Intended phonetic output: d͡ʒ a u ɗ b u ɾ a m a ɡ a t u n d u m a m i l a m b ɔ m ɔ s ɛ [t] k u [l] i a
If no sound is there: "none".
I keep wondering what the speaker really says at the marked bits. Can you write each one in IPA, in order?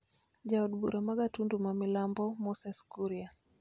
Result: s, ɾ

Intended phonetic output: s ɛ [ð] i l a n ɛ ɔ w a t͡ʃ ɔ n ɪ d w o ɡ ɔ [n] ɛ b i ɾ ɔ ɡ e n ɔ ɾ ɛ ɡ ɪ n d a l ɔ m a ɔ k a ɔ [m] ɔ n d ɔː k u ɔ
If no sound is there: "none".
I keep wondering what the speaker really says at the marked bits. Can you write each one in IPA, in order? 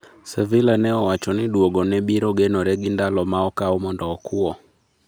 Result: v, n, m

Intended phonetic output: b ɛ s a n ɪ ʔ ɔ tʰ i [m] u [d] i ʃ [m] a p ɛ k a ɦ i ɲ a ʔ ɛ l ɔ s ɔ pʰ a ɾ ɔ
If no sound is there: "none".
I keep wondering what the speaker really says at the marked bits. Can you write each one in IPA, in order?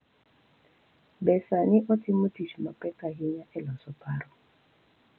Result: m, t, m

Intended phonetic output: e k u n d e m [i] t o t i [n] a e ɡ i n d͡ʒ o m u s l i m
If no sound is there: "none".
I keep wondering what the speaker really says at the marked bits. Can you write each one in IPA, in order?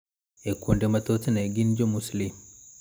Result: a, n

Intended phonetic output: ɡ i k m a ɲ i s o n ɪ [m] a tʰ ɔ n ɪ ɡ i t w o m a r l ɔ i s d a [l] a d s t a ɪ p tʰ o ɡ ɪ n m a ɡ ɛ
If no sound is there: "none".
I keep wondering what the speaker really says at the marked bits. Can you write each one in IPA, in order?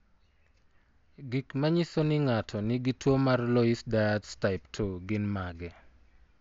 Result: ŋ, none

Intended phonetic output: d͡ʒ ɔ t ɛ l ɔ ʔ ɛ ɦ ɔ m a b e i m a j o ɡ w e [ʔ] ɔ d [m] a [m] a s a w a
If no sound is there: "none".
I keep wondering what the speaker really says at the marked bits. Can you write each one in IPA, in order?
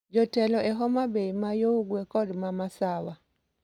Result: k, m, m

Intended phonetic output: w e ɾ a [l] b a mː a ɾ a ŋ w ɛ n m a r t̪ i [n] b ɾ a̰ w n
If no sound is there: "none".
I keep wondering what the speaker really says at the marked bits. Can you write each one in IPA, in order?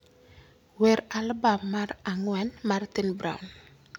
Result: l, n

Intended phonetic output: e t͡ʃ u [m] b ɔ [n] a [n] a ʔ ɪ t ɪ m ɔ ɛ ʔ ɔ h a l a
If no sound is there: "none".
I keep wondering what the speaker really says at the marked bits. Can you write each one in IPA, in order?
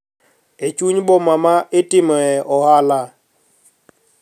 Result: ɲ, m, m

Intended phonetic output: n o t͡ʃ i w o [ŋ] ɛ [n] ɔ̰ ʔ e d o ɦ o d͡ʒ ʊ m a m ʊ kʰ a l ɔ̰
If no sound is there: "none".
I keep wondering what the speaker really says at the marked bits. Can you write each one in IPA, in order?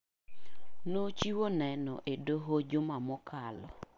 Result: n, n

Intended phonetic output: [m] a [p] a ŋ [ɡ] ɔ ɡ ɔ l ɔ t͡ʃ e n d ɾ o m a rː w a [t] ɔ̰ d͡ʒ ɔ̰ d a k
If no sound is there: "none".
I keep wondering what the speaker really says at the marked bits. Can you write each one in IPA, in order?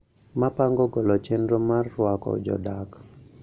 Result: m, p, ɡ, k

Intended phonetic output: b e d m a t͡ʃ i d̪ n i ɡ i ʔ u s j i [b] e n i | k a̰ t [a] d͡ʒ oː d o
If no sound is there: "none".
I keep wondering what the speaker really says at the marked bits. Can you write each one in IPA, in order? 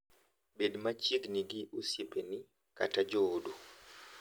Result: p, a

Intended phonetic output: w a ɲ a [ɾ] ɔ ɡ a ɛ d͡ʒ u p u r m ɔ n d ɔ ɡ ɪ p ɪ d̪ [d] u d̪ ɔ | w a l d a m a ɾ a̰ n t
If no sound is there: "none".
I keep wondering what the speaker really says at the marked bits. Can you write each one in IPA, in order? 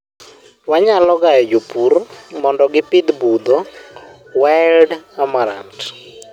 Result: l, b

